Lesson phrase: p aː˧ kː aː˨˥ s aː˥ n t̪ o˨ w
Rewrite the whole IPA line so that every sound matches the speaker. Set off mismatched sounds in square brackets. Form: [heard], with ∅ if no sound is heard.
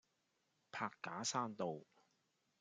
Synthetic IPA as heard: [pʰ] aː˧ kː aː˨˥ s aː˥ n t̪ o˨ w